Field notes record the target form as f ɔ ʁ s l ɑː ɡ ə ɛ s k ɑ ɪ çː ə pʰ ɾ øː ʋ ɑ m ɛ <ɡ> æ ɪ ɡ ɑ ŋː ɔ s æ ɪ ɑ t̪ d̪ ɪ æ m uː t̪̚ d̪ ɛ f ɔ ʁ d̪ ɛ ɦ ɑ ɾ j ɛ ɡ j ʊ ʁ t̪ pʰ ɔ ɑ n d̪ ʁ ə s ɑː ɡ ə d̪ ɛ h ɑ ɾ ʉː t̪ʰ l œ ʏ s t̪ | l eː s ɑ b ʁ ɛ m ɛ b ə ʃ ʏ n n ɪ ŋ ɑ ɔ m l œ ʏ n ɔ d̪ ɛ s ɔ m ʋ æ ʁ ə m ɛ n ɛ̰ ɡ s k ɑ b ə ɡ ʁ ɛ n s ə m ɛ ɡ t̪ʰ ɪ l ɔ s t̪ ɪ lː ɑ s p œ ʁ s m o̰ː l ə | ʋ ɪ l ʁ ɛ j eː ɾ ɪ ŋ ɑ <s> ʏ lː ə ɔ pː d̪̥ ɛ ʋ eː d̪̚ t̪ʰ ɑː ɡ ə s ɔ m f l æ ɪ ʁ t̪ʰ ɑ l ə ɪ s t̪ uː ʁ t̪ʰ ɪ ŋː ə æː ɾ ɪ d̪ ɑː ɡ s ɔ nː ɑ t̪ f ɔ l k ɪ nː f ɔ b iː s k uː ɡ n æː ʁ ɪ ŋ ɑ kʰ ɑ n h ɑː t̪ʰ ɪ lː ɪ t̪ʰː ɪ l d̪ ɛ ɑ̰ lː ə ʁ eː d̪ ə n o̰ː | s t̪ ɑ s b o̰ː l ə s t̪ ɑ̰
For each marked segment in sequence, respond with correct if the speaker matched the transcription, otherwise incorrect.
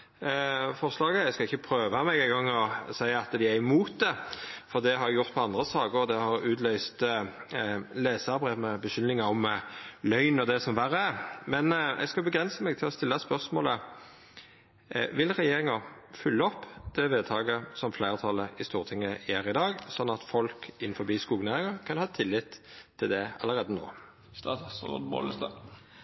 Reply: correct, incorrect

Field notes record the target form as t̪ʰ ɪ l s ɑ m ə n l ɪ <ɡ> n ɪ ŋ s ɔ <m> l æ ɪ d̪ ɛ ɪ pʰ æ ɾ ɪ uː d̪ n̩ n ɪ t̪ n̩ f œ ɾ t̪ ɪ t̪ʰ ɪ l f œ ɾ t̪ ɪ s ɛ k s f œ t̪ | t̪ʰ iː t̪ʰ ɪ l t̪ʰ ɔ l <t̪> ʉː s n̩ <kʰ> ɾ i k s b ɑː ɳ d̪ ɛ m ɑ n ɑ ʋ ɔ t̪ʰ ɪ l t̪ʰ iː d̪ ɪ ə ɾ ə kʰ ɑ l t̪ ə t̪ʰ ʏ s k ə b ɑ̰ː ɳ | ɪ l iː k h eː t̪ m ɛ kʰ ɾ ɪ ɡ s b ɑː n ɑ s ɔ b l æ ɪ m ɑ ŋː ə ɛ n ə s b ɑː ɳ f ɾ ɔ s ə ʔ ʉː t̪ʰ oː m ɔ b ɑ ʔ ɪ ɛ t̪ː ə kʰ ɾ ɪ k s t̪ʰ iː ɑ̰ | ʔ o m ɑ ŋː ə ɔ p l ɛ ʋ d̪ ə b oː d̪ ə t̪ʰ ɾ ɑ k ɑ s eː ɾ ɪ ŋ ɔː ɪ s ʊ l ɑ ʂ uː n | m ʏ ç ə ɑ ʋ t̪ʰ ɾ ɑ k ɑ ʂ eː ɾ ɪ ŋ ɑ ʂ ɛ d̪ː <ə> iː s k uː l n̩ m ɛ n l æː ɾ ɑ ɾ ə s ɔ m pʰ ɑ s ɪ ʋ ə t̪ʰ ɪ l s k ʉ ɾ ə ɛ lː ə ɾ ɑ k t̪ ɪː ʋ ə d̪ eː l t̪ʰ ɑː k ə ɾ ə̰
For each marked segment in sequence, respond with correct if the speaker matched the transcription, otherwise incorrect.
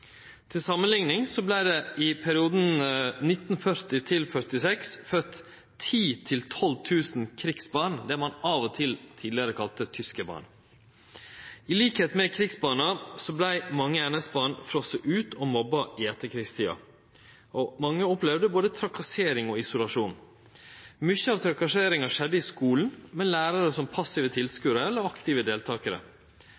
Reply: incorrect, incorrect, incorrect, correct, correct

